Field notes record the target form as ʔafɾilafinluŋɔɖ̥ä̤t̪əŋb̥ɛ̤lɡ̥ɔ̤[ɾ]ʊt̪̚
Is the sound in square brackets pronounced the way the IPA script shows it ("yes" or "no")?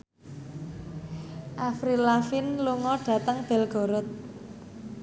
yes